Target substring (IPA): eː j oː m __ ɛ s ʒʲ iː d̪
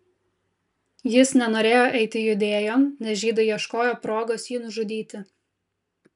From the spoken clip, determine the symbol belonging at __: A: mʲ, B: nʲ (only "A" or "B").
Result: B